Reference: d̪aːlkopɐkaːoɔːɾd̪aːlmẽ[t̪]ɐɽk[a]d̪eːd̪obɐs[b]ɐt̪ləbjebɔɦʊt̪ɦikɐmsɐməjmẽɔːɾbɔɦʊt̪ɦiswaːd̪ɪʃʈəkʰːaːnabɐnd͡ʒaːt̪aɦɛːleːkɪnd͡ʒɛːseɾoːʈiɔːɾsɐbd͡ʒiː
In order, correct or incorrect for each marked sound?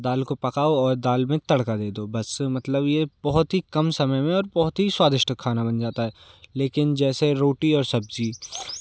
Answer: correct, correct, incorrect

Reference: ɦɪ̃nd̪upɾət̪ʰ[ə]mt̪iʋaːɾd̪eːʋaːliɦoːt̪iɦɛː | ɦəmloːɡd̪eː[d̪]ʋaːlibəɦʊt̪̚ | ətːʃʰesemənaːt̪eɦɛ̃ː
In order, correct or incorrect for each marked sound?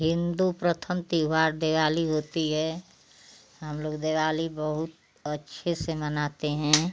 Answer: correct, incorrect

